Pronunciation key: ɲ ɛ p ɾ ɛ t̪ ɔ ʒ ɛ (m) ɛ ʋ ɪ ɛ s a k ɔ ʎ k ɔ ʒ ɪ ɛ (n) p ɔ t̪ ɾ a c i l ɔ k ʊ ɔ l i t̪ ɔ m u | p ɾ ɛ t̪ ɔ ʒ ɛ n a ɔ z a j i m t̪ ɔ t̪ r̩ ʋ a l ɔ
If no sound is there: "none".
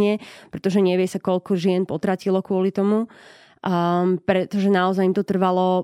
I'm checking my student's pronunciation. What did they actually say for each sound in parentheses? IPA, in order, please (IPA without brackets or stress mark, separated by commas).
ɲ, n